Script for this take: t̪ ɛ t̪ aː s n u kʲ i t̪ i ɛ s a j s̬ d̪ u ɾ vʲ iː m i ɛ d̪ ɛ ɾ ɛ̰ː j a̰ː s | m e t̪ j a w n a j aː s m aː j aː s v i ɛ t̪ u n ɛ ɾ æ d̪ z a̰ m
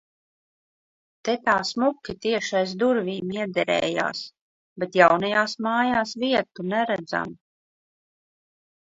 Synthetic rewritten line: t̪ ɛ t̪ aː s m u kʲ i t̪ i ɛ ʃ a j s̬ d̪ u ɾ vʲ iː m i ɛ d̪ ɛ ɾ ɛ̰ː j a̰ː s | b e t̪ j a w n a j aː s m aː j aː s v i ɛ t̪ u n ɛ ɾ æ d̪ z a̰ m